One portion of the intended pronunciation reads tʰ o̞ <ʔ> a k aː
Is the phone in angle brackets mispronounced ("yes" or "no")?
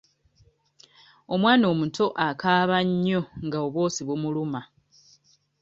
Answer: no